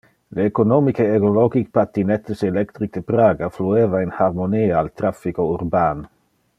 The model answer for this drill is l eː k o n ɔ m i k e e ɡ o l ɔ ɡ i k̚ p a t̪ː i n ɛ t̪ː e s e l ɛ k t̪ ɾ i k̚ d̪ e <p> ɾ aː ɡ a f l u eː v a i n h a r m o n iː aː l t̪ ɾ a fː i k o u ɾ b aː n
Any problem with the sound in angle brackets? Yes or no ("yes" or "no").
no